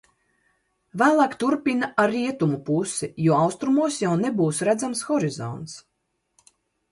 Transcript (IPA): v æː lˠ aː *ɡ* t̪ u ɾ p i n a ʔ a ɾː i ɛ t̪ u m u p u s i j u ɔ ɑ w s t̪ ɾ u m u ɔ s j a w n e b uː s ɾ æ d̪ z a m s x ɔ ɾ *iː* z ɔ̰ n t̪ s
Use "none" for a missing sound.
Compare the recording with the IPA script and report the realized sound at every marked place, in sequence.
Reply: k, i

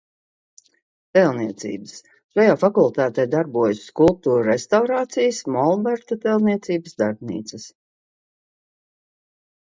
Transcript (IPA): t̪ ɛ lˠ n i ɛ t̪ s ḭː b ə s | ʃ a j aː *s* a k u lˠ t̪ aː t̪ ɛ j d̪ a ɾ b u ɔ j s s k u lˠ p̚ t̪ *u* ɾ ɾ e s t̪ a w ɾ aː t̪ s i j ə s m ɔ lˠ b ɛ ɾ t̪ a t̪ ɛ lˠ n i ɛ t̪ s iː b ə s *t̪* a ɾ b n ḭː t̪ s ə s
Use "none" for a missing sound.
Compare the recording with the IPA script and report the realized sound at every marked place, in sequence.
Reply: f, uː, d̪

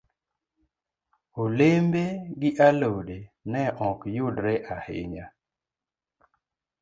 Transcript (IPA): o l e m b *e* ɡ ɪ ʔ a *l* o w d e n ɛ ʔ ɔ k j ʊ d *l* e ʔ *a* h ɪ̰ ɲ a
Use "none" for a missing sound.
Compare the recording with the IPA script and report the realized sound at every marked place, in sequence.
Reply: e, l, ɾ, a

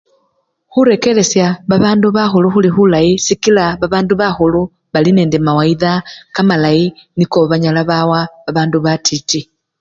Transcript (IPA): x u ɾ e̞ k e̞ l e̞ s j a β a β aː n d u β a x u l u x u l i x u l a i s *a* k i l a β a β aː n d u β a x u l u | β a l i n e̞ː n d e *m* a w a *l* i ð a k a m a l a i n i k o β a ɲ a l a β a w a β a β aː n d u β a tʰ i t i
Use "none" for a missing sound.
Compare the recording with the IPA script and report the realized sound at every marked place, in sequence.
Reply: i, m, none

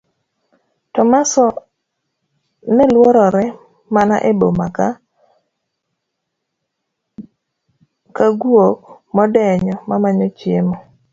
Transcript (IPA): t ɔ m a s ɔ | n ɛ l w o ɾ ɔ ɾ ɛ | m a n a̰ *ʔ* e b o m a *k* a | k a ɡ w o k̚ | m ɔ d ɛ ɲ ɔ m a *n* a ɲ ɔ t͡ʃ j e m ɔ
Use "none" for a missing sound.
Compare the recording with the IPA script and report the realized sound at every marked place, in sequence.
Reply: ʔ, k, m

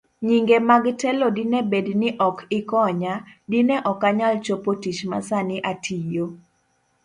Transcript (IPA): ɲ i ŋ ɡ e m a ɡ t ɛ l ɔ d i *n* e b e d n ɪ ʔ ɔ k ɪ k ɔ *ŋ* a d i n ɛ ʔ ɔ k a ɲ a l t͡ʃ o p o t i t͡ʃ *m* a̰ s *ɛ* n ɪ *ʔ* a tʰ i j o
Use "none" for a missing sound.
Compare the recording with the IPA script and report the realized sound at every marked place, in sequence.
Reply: n, ɲ, m, a, ʔ

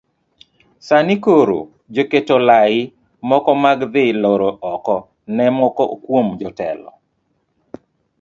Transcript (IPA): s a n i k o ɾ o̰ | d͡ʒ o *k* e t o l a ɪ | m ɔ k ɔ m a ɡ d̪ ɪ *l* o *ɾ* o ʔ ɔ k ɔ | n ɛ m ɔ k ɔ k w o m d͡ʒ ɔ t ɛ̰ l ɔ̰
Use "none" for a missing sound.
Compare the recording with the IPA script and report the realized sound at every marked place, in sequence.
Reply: k, l, ɾ

